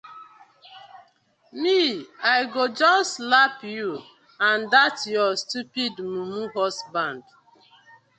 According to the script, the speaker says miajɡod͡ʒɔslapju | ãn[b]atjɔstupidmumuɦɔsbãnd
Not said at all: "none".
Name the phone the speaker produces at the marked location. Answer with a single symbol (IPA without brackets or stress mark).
d